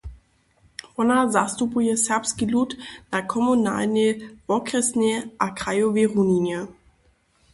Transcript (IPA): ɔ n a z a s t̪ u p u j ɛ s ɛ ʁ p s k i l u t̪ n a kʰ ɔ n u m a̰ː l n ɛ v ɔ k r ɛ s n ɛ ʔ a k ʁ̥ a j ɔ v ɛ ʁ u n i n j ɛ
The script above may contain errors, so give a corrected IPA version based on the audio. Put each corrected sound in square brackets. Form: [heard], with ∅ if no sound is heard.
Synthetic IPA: ɔ n a z a s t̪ u p u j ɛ s ɛ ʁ p s k i l u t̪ n a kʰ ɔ [m] u [n] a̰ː l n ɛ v ɔ k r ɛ s n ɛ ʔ a k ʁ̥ a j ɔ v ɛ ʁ u n i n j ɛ

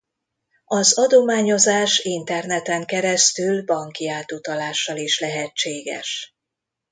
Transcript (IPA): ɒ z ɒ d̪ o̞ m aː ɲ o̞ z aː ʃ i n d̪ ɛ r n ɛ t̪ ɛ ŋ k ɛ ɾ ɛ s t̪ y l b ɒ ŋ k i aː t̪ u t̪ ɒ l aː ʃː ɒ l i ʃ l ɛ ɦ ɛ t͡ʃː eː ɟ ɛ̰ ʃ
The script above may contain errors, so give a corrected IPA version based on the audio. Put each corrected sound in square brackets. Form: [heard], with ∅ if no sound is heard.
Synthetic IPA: ɒ z ɒ d̪ o̞ m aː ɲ o̞ z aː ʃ i n [t̪] ɛ r n ɛ t̪ ɛ ŋ k ɛ ɾ ɛ s t̪ y l b ɒ ŋ k i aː t̪ u t̪ ɒ l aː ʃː ɒ l i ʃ l ɛ ɦ ɛ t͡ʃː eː [ɡ] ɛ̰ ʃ

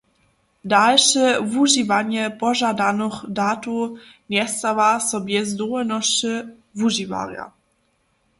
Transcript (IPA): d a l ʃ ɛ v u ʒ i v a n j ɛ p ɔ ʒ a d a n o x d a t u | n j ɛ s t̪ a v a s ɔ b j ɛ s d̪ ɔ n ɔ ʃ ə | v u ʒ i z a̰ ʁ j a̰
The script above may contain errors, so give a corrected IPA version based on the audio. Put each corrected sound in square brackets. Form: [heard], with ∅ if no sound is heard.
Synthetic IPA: d a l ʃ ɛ v u ʒ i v a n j ɛ p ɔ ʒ a d a n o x d a t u | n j ɛ s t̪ a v a s ɔ b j ɛ [z] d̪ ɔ n ɔ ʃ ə | v u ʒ i [v] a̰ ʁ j a̰

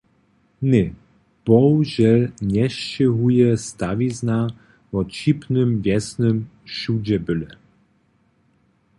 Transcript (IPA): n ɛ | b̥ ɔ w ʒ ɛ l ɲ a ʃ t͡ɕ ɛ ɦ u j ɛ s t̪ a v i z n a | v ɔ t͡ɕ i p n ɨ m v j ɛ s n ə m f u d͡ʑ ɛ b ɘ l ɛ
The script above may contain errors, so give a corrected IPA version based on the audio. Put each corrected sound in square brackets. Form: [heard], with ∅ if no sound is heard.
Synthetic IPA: n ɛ | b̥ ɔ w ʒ ɛ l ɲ [ɛ] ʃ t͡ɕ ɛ ɦ u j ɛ s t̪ a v i z n a | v ɔ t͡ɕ i p n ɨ m v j ɛ s n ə m [ʃ] u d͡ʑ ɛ b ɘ l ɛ

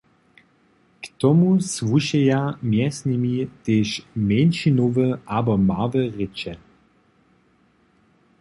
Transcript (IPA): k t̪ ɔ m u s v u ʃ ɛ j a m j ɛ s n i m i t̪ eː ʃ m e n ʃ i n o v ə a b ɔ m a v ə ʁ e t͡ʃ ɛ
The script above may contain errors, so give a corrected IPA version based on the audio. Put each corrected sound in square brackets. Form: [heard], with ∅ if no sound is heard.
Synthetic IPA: k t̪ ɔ m u s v u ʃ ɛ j a m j ɛ s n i m i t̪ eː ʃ m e n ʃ i n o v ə a b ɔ m a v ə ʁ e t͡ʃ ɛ

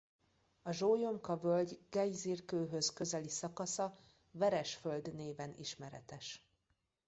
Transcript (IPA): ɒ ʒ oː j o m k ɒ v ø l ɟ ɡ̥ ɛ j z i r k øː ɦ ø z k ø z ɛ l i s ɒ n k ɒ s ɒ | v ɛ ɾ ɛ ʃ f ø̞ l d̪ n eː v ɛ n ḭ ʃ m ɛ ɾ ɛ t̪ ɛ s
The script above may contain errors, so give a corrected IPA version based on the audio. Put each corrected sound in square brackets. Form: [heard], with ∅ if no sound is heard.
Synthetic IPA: ɒ ʒ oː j o m k ɒ v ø l ɟ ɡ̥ ɛ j z i r k øː ɦ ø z k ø z ɛ l i s ɒ [∅] k ɒ s ɒ | v ɛ ɾ ɛ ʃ f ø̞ l d̪ n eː v ɛ n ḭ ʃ m ɛ ɾ ɛ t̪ ɛ [ʃ]

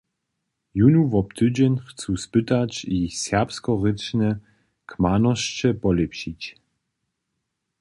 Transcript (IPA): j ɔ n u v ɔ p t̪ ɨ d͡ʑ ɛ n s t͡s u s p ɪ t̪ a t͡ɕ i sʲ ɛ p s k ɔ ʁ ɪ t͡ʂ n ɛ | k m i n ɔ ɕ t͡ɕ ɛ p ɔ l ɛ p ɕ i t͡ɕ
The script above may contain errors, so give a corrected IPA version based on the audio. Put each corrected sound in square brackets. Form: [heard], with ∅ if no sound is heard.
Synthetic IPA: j [u] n u v ɔ p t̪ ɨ d͡ʑ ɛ n [x] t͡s u s p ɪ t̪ a t͡ɕ i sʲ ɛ p s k ɔ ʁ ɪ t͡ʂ n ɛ | k m [a] n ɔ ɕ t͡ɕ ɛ p ɔ l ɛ p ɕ i t͡ɕ

